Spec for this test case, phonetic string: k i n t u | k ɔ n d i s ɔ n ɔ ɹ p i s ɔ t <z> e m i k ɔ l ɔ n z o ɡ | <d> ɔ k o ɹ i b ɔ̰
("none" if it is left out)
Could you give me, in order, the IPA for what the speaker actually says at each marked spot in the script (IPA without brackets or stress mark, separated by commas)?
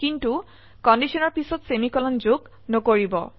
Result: s, n